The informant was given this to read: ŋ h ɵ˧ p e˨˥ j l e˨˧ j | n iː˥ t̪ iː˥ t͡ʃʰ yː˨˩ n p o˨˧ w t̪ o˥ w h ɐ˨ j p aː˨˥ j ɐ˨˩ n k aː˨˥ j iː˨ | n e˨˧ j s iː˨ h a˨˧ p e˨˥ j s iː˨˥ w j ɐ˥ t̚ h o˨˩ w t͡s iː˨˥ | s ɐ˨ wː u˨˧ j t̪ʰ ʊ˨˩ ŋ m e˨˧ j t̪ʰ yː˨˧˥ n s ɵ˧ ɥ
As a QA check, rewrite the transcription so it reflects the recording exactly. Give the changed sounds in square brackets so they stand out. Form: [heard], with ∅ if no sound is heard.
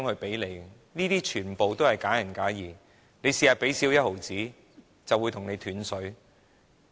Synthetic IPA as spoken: ŋ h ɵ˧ p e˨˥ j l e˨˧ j | n iː˥ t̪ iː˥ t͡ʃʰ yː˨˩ n p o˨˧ w t̪ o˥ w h ɐ˨ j [k] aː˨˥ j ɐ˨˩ n k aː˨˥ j iː˨ | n e˨˧ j s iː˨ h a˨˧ p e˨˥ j s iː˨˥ w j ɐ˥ t̚ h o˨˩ w t͡s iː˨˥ | [t͡s] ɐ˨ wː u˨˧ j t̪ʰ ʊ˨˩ ŋ [n] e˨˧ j t̪ʰ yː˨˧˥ n s [ɵ˨˥] ɥ